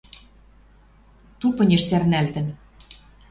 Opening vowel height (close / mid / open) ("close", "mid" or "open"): close